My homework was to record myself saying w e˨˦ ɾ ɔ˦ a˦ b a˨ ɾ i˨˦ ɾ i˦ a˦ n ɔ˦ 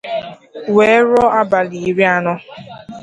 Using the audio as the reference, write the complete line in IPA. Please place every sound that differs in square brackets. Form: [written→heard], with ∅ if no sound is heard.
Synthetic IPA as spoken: w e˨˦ ɾ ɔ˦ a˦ b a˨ [ɾ→l] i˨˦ ɾ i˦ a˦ n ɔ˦